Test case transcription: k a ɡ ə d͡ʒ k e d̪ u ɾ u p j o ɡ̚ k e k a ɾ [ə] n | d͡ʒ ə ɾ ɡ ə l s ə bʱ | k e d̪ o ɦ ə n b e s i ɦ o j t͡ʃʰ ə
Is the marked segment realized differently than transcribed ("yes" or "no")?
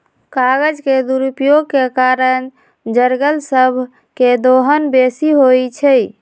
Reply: no